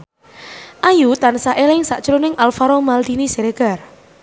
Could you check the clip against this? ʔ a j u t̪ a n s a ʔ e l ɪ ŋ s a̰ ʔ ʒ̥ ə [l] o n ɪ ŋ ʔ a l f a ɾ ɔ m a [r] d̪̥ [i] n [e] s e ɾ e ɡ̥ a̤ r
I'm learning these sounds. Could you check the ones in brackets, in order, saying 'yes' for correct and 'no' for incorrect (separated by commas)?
no, no, yes, no